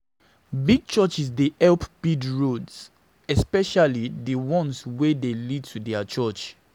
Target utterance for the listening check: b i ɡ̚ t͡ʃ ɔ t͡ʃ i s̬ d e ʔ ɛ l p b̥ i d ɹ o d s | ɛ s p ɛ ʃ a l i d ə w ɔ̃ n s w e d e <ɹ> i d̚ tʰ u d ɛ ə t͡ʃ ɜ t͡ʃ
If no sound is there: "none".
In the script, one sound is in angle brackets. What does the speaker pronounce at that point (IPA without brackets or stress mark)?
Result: l